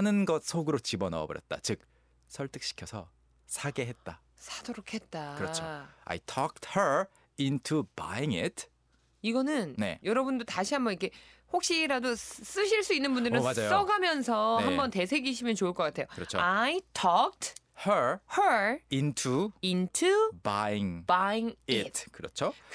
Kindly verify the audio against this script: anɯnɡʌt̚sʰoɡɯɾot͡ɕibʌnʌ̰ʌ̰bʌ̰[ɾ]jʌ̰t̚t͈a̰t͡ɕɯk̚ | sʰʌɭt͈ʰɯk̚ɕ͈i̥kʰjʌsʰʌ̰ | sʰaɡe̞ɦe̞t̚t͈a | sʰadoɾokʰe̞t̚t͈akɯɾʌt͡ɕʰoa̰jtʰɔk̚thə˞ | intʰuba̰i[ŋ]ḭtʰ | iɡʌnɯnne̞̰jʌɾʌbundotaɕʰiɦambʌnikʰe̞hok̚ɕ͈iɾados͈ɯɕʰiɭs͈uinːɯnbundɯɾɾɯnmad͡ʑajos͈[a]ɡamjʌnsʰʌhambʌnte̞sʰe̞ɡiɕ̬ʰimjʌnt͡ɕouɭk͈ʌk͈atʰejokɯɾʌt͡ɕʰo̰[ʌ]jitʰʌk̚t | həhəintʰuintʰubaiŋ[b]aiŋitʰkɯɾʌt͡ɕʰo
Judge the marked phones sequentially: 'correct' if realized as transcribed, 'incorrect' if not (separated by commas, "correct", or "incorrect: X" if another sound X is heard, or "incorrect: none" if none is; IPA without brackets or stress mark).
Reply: correct, correct, incorrect: ʌ, incorrect: a, correct